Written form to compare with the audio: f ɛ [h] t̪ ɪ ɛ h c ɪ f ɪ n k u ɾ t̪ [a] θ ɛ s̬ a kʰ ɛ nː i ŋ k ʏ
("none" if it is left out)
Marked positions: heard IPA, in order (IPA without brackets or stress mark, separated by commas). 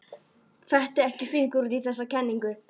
h, i